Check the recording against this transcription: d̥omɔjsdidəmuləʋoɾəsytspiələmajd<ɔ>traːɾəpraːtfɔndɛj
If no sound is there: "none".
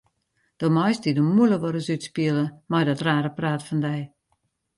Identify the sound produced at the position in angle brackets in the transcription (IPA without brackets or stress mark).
ɔ